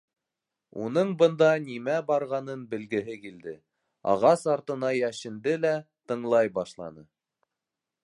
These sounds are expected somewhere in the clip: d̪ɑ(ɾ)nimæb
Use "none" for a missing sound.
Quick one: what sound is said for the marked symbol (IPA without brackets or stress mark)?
none